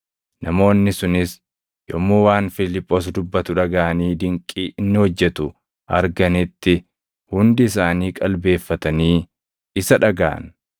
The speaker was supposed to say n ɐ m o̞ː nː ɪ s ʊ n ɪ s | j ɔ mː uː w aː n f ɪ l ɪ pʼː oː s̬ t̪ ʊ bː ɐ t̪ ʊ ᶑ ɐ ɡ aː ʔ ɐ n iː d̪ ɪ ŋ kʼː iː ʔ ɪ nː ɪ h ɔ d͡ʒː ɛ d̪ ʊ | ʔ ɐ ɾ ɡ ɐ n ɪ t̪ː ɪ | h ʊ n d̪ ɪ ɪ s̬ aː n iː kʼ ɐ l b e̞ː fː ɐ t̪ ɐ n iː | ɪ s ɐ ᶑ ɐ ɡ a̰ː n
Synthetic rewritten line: n ɐ m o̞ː nː ɪ s ʊ n ɪ s | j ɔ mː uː w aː n f ɪ l ɪ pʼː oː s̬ d̪ ʊ bː ɐ t̪ ʊ ᶑ ɐ ɡ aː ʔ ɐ n iː d̪ ɪ ŋ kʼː iː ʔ ɪ nː ɪ h ɔ d͡ʒː ɛ t̪ ʊ | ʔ ɐ ɾ ɡ ɐ n ɪ t̪ː ɪ | h ʊ n d̪ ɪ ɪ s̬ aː n iː kʼ ɐ l b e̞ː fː ɐ t̪ ɐ n iː | ɪ s ɐ ᶑ ɐ ɡ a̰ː n

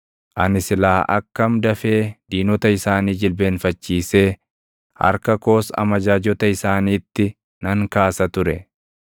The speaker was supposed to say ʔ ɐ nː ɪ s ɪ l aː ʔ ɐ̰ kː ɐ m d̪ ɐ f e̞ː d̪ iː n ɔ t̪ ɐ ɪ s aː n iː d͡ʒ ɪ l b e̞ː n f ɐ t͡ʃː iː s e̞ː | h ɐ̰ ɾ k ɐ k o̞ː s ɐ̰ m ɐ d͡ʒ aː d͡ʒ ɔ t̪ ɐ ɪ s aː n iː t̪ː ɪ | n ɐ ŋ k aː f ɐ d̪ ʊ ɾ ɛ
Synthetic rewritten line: ʔ ɐ n ɪ s ɪ l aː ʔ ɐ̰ kː ɐ m d̪ ɐ f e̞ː d̪ iː n ɔ t̪ ɐ ɪ s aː n iː d͡ʒ ɪ l b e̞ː n f ɐ t͡ʃː iː s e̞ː | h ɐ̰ ɾ k ɐ k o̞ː s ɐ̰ m ɐ d͡ʒ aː d͡ʒ ɔ t̪ ɐ ɪ s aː n iː t̪ː ɪ | n ɐ ŋ k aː s ɐ t̪ ʊ ɾ ɛ

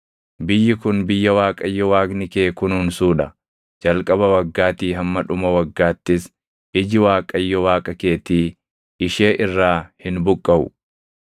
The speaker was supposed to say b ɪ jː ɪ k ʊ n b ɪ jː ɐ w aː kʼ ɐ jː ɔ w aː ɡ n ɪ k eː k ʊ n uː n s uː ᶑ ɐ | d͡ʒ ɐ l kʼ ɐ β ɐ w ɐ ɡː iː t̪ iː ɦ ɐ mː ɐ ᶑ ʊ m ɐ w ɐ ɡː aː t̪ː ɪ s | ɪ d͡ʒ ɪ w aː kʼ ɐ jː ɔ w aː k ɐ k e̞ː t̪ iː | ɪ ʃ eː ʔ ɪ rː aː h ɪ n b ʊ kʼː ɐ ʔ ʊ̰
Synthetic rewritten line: b ɪ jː ɪ k ʊ n b ɪ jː ɐ w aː kʼ ɐ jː ɔ w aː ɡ n ɪ k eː k ʊ n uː n s uː ᶑ ɐ | d͡ʒ ɐ l kʼ ɐ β ɐ w ɐ ɡː aː t̪ iː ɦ ɐ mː ɐ ᶑ ʊ m ɐ w ɐ ɡː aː t̪ː ɪ s | ɪ d͡ʒ ɪ w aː kʼ ɐ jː ɔ w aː kʼ ɐ k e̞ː t̪ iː | ɪ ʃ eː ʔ ɪ rː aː h ɪ n b ʊ kʼː ɐ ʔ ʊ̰

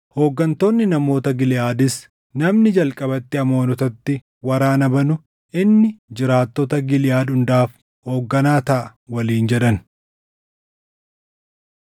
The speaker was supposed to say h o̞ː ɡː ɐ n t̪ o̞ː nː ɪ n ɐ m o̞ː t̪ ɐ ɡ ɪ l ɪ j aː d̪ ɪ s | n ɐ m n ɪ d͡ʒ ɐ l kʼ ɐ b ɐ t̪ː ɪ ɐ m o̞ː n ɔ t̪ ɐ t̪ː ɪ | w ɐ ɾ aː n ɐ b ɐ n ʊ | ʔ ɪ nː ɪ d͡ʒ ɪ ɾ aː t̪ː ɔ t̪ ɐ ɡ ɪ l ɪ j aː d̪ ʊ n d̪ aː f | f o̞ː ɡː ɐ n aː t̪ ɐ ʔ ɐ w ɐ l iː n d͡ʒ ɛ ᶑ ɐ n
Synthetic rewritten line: h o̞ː ɡː ɐ n t̪ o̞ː nː ɪ n ɐ m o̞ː t̪ ɐ ɡ ɪ l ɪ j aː d̪ ɪ s | n ɐ m n ɪ d͡ʒ ɐ l kʼ ɐ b ɐ t̪ː ɪ ɐ m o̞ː n ɔ t̪ ɐ t̪ː ɪ | w ɐ ɾ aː n ɐ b ɐ n ʊ | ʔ ɪ nː ɪ d͡ʒ ɪ ɾ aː t̪ː ɔ t̪ ɐ ɡ ɪ l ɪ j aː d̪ ʊ n d̪ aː f | h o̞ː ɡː ɐ n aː t̪ ɐ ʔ ɐ w ɐ l iː n d͡ʒ ɛ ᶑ ɐ n

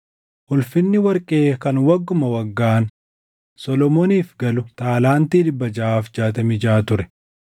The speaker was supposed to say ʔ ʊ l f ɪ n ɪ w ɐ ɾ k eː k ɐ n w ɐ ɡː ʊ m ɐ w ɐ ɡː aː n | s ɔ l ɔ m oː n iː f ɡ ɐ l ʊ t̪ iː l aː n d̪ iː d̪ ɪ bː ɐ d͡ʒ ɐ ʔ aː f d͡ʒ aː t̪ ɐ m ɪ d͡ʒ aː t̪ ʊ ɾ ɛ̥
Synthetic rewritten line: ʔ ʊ l f ɪ nː ɪ w ɐ ɾ kʼ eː k ɐ n w ɐ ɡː ʊ m ɐ w ɐ ɡː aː n | s ɔ l ɔ m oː n iː f ɡ ɐ l ʊ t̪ aː l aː n t̪ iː d̪ ɪ bː ɐ d͡ʒ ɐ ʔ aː f d͡ʒ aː t̪ ɐ m ɪ d͡ʒ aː t̪ ʊ ɾ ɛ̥

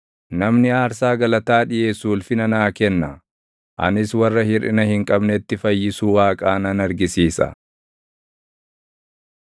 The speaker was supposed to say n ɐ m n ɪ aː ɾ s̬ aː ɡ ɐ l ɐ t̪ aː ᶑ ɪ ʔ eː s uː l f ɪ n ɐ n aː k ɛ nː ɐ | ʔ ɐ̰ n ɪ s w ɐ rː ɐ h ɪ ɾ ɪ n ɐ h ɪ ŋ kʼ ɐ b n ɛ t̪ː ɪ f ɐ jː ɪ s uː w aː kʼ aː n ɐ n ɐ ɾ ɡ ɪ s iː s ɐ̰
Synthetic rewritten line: n ɐ m n ɪ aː ɾ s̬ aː ɡ ɐ l ɐ t̪ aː ᶑ ɪ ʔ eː s uː l f ɪ n ɐ n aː k ɛ nː ɐ | ʔ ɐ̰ n ɪ s w ɐ rː ɐ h ɪ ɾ ɪ n ɐ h ɪ ŋ kʼ ɐ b n ɛ t̪ː ɪ f ɐ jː ɪ s uː w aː kʼ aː n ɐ n ɐ ɾ ɡ ɪ s iː s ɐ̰

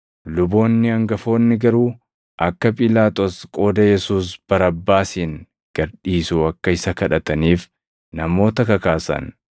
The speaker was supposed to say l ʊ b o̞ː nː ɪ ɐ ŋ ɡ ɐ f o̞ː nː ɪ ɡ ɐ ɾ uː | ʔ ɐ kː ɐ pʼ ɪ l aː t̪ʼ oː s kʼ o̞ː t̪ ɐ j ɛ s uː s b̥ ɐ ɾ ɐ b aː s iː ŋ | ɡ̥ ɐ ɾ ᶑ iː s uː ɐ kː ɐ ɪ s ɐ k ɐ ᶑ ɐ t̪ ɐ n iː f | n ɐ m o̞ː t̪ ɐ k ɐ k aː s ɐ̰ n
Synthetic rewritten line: l ʊ b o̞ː nː ɪ ɐ ŋ ɡ ɐ f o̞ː nː ɪ ɡ ɐ ɾ uː | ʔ ɐ kː ɐ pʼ ɪ l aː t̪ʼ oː s kʼ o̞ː d̪ ɐ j ɛ s uː s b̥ ɐ ɾ ɐ bː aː s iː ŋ | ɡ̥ ɐ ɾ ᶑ iː s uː ɐ kː ɐ ɪ s ɐ k ɐ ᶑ ɐ t̪ ɐ n iː f | n ɐ m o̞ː t̪ ɐ k ɐ k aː s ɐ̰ n

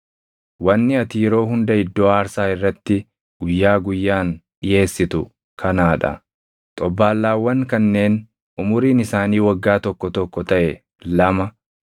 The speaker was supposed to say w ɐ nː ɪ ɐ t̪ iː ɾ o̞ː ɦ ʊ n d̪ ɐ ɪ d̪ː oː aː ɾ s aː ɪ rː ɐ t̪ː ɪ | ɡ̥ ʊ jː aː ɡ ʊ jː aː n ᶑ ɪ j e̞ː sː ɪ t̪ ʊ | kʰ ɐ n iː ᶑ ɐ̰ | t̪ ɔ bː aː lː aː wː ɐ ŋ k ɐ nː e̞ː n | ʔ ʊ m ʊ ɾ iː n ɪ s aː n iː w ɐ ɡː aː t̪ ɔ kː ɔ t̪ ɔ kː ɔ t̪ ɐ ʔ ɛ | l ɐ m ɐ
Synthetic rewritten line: w ɐ nː ɪ ɐ t̪ iː ɾ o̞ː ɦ ʊ n d̪ ɐ ɪ d̪ː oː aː ɾ s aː ɪ rː ɐ t̪ː ɪ | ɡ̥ ʊ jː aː ɡ ʊ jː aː n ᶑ ɪ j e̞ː sː ɪ t̪ ʊ | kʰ ɐ n aː ᶑ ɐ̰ | t̪ʼ ɔ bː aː lː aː wː ɐ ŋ k ɐ nː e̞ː n | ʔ ʊ m ʊ ɾ iː n ɪ s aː n iː w ɐ ɡː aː t̪ ɔ kː ɔ t̪ ɔ kː ɔ t̪ ɐ ʔ ɛ | l ɐ m ɐ

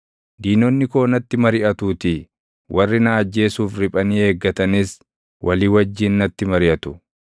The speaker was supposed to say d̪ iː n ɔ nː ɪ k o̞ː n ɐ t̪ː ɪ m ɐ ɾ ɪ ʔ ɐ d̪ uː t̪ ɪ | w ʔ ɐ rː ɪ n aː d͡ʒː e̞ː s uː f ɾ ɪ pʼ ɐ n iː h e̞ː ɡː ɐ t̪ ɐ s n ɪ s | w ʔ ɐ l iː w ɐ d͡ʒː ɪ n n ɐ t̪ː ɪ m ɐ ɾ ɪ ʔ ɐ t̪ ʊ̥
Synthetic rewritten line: d̪ iː n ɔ nː ɪ k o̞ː n ɐ t̪ː ɪ m ɐ ɾ ɪ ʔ ɐ t̪ uː t̪ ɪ | w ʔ ɐ rː ɪ n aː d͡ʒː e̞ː s uː f ɾ ɪ pʼ ɐ n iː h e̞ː ɡː ɐ t̪ ɐ n ɪ s | w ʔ ɐ l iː w ɐ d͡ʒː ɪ n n ɐ t̪ː ɪ m ɐ ɾ ɪ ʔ ɐ t̪ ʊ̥

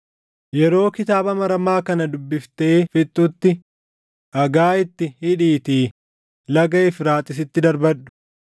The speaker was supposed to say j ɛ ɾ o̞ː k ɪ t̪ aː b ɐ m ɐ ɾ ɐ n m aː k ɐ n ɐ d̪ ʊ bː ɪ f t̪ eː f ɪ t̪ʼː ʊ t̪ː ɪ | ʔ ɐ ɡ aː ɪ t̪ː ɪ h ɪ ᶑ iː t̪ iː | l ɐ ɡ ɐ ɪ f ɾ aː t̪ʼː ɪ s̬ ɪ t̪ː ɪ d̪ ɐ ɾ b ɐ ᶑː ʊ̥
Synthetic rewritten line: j ɛ ɾ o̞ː k ɪ t̪ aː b ɐ m ɐ ɾ ɐ m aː k ɐ n ɐ d̪ ʊ bː ɪ f t̪ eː f ɪ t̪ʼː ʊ t̪ː ɪ | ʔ ɐ ɡ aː ɪ t̪ː ɪ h ɪ ᶑ iː t̪ iː | l ɐ ɡ ɐ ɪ f ɾ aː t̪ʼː ɪ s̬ ɪ t̪ː ɪ d̪ ɐ ɾ b ɐ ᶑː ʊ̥

